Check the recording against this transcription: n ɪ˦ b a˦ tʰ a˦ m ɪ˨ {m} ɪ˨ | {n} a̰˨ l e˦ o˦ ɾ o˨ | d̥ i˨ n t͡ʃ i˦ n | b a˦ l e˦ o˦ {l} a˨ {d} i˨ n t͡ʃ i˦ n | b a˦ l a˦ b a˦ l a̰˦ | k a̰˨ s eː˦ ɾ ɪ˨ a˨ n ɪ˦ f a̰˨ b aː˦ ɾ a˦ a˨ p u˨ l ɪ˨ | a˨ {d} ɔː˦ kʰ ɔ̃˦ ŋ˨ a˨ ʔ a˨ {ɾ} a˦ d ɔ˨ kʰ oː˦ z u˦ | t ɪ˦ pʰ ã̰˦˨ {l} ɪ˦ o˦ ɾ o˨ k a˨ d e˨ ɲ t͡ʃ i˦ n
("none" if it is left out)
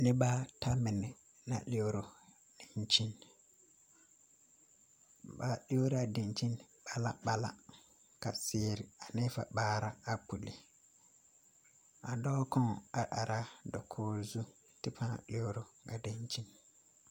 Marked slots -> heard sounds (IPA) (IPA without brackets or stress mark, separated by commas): n, n, ɾ, d, d, ɾ, l